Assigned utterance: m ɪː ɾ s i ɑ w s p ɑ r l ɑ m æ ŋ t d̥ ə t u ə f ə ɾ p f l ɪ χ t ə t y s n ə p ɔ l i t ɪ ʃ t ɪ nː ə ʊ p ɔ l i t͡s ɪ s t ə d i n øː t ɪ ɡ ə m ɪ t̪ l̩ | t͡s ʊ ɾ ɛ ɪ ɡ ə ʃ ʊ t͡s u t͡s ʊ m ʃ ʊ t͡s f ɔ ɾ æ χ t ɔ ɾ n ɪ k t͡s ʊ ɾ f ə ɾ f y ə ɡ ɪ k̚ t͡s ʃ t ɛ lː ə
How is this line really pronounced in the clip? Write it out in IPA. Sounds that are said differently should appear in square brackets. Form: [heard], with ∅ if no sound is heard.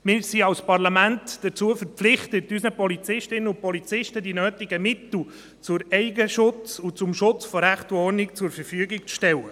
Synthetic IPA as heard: m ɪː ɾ s i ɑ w s p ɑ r l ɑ m æ [n] t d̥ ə [t͡s] u ə f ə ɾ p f l ɪ χ t ə t y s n ə p ɔ l i [t͡s] ɪ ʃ t ɪ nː ə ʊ p ɔ l i t͡s ɪ [ʃ] t ə d i n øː t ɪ ɡ ə m ɪ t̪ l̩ | t͡s ʊ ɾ ɛ ɪ ɡ ə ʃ ʊ t͡s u t͡s ʊ m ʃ ʊ t͡s f ɔ ɾ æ χ t ɔ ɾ n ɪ k t͡s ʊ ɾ f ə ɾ f y ə ɡ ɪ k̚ t͡s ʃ t ɛ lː ə